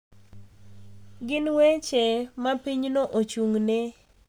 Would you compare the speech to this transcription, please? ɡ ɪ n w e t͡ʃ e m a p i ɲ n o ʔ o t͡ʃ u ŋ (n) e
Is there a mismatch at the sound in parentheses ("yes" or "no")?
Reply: no